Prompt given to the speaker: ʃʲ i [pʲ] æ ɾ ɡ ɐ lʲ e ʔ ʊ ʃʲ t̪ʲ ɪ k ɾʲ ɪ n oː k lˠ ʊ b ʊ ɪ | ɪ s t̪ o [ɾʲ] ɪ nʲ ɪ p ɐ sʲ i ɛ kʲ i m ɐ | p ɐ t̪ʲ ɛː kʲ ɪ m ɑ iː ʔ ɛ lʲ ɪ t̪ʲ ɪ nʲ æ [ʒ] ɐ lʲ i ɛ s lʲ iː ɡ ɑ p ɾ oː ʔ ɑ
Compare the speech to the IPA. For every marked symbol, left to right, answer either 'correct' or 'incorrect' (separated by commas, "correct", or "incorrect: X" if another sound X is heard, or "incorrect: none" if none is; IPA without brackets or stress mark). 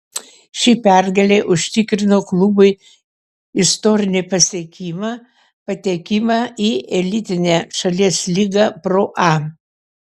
correct, correct, incorrect: ʃ